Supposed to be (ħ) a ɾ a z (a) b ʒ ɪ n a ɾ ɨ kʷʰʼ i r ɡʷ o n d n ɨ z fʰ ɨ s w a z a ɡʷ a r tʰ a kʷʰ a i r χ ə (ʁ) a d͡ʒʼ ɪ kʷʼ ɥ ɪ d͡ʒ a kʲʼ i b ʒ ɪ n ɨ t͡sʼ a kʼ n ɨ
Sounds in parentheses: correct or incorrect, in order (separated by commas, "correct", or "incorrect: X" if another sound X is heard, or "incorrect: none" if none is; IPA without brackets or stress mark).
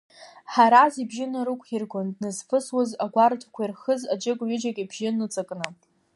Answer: correct, incorrect: i, incorrect: z